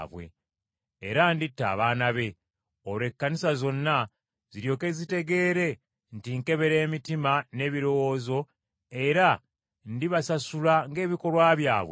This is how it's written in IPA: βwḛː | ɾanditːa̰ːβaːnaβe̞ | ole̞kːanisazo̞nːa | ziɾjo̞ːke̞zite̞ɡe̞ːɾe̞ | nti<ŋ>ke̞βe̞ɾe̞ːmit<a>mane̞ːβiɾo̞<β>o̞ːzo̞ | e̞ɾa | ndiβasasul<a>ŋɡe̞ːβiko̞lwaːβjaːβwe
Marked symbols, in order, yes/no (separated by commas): yes, no, no, yes